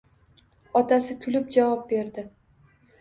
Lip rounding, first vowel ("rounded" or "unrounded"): rounded